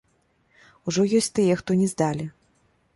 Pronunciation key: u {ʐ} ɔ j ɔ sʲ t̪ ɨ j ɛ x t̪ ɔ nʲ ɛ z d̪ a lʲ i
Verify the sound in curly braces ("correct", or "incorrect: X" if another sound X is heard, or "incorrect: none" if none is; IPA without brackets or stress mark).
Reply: correct